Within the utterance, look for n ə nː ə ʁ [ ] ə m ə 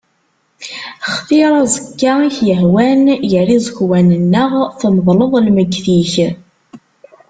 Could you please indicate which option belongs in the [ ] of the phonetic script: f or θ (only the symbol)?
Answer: θ